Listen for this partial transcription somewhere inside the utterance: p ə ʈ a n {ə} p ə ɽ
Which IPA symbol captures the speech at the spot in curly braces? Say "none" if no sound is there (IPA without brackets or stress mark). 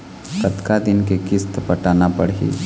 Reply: a